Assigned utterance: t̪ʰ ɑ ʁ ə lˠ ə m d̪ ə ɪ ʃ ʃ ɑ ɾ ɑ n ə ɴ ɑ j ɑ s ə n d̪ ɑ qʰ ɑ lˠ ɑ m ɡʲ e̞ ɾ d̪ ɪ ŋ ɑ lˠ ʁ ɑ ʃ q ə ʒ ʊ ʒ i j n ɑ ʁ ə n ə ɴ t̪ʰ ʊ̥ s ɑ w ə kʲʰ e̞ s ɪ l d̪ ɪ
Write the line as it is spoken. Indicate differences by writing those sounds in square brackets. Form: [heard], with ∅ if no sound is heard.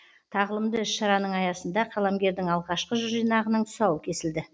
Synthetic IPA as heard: t̪ʰ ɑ ʁ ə lˠ ə m d̪ ə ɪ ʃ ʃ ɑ ɾ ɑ n ə ɴ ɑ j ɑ s ə n d̪ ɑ qʰ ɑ lˠ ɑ m ɡʲ e̞ ɾ d̪ ɪ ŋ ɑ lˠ ʁ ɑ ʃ q ə ʒ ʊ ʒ i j n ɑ ʁ ə n ə ɴ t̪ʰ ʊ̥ s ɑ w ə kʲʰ e̞ s ɪ l d̪ ɪ